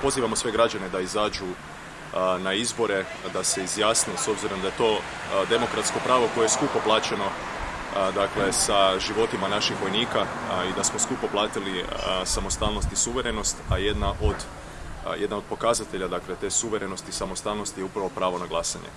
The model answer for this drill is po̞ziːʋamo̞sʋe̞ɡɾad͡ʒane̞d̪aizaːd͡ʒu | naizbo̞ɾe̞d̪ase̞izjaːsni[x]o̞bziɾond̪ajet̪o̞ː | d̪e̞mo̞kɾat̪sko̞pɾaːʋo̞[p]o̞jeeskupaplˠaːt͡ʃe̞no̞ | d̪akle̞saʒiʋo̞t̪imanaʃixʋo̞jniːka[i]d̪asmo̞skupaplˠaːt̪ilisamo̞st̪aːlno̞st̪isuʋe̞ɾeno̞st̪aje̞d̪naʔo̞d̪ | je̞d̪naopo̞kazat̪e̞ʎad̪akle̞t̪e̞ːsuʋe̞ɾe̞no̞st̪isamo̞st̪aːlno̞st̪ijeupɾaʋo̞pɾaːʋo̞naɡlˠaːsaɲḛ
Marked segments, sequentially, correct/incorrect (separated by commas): incorrect, incorrect, correct